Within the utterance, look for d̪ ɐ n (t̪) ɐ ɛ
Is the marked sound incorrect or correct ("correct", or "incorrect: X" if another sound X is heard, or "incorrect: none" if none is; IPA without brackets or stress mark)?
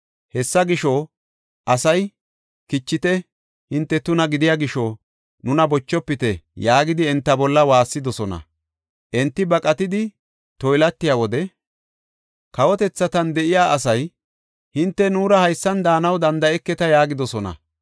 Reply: incorrect: d̪